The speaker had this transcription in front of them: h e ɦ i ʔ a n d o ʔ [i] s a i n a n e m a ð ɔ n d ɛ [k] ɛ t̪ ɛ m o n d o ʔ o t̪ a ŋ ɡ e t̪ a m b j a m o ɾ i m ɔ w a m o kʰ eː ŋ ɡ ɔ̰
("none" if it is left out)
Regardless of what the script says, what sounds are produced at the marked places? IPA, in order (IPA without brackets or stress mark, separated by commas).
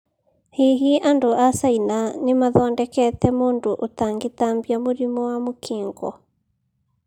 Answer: a, k